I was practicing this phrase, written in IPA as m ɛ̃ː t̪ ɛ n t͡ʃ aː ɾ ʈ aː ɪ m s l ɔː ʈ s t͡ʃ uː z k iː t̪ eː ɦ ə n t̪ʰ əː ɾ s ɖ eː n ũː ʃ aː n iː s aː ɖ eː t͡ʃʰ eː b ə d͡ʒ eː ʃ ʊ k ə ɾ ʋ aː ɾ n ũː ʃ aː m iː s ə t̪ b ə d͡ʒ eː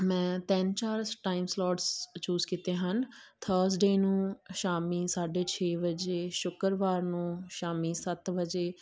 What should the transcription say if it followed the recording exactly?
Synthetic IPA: m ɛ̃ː t̪ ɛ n t͡ʃ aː ɾ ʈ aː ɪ m s l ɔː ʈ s t͡ʃ uː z k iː t̪ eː ɦ ə n t̪ʰ əː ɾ s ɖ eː n ũː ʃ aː m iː s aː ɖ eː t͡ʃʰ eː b ə d͡ʒ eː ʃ ʊ k ə ɾ ʋ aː ɾ n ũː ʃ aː m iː s ə t̪ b ə d͡ʒ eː

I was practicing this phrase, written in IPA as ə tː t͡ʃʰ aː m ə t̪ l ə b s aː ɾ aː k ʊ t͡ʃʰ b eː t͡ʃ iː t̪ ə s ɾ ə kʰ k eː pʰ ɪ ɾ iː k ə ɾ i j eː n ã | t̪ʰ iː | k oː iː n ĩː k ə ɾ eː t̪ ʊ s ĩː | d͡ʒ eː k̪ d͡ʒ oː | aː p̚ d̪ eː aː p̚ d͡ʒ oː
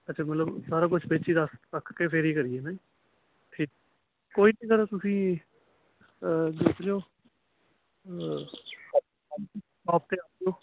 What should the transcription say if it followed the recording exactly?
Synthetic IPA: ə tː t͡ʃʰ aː m ə t̪ l ə b s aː ɾ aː k ʊ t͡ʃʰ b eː t͡ʃ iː d̪ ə s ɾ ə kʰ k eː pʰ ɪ ɾ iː k ə ɾ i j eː n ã | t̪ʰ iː | k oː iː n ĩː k ə ɾ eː t̪ ʊ s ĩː | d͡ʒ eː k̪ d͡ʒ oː | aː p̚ t̪ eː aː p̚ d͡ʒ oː

